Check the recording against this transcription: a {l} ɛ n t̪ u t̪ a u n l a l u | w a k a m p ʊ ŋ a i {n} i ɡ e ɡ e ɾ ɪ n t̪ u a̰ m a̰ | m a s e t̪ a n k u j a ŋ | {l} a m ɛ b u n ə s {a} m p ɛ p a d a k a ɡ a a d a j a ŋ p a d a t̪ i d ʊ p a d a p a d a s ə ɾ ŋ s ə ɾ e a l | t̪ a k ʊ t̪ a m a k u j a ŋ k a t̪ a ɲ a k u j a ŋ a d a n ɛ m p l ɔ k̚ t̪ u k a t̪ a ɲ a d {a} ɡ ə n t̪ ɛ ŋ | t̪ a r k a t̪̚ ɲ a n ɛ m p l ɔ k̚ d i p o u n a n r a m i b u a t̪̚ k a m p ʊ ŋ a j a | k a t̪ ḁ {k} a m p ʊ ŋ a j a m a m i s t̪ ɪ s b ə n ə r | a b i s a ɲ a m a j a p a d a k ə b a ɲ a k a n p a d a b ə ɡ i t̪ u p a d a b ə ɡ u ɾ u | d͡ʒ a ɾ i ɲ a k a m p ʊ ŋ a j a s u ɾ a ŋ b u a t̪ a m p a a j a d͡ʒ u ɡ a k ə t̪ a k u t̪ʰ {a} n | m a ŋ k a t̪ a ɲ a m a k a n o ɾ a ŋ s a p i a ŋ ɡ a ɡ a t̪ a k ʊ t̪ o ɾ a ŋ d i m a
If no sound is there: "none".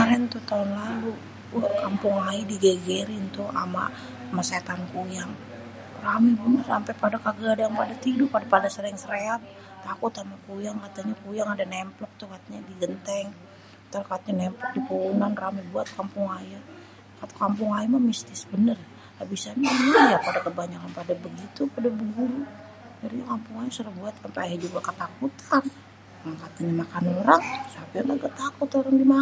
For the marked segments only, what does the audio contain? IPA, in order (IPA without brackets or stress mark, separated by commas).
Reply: ɾ, d, r, a, i, k, a